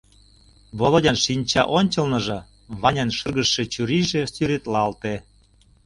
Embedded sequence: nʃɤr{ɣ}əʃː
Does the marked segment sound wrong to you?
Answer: no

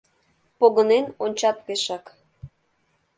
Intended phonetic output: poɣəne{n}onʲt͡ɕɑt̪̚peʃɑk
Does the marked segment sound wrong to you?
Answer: no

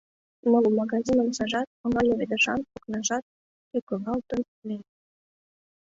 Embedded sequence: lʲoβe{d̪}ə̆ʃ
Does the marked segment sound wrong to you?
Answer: no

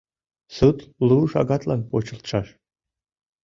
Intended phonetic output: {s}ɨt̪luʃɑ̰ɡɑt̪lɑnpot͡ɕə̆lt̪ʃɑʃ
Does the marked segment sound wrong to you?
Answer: no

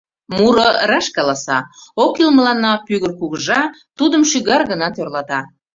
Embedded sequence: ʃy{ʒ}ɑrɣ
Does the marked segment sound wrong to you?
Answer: yes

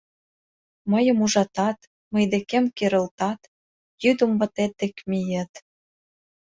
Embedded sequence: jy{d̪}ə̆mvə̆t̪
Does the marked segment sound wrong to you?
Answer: no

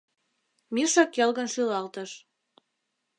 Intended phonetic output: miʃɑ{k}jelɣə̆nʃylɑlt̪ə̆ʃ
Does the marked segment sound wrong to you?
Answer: no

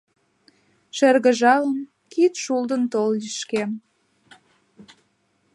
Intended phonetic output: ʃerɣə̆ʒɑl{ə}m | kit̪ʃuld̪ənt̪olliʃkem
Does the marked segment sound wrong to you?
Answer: no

